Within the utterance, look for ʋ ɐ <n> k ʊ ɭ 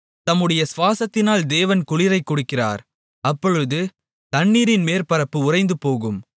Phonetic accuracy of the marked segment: correct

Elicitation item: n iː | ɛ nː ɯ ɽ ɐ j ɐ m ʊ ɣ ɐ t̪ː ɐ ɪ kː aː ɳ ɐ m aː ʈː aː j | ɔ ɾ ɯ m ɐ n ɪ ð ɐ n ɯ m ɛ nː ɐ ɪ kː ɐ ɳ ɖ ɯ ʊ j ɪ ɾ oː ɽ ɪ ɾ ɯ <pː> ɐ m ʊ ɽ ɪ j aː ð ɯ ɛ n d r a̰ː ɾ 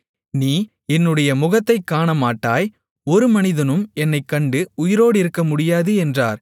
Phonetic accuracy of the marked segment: incorrect: kː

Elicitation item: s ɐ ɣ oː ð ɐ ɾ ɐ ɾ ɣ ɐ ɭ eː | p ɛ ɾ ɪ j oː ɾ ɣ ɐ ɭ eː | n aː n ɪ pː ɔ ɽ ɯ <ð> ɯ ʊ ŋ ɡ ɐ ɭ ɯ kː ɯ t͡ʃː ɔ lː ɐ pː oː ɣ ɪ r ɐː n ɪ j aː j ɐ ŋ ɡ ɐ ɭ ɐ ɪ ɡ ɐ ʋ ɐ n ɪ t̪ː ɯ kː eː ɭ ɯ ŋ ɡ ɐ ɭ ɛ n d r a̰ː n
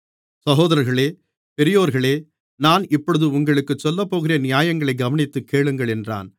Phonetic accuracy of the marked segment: correct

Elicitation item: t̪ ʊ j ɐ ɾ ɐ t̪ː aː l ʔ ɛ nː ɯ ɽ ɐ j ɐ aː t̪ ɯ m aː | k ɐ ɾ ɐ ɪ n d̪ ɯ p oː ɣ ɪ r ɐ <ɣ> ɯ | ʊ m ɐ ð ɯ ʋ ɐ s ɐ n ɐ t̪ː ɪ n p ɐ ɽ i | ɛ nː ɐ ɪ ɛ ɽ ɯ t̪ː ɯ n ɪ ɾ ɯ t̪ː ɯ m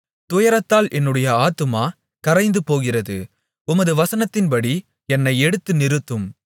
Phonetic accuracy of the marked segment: incorrect: ð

